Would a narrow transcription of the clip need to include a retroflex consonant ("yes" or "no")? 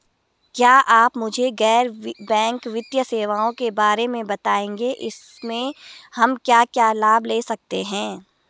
no